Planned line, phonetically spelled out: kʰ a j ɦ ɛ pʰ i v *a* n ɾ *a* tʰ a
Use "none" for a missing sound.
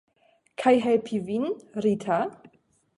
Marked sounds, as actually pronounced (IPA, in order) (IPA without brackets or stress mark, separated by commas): i, i